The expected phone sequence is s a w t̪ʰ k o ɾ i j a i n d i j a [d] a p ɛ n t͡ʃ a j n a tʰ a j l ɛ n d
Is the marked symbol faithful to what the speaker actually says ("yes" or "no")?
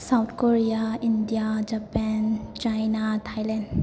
no